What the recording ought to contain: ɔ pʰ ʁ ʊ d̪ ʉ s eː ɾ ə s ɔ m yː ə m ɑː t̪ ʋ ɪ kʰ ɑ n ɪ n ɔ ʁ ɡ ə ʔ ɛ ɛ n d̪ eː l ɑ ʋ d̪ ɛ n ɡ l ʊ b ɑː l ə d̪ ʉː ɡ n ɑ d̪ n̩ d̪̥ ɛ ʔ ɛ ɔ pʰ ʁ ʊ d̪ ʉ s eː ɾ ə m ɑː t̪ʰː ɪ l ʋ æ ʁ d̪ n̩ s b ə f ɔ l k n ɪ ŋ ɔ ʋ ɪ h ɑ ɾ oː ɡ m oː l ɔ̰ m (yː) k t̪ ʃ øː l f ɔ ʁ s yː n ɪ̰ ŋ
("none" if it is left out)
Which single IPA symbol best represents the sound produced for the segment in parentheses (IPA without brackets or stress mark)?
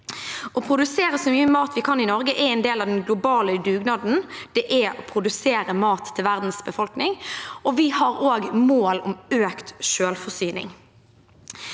øː